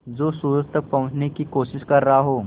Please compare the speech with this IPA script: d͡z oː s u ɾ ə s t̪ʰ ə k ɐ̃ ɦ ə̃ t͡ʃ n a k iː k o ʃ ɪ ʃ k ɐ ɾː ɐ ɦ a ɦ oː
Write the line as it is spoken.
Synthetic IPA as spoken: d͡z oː s u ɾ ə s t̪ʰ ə p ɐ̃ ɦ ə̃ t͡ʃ n e k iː k o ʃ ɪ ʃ k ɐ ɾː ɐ ɦ a ɦ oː